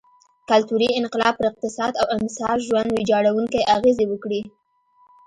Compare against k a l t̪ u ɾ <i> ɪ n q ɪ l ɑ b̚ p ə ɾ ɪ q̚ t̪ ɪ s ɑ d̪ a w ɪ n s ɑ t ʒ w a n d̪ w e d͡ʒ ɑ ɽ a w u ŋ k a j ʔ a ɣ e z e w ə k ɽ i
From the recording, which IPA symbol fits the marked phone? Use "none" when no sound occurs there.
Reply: i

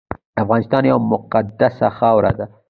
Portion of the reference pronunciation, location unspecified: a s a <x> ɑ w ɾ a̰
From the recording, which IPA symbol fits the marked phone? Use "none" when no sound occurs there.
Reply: x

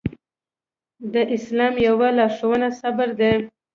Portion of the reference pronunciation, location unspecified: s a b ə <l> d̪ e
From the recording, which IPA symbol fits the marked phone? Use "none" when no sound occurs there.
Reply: ɾ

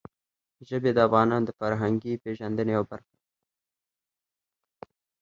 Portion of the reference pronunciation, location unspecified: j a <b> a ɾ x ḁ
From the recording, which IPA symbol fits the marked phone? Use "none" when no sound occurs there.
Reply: b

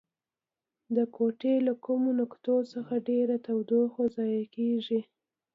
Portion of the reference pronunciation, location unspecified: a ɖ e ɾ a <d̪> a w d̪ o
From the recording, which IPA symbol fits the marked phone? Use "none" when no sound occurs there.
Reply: t̪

